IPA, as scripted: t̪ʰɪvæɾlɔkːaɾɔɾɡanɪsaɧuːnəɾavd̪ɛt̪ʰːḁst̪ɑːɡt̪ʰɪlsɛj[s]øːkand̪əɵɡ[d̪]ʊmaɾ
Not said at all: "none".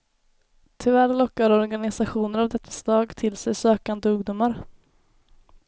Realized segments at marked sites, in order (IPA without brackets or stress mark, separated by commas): s, d̪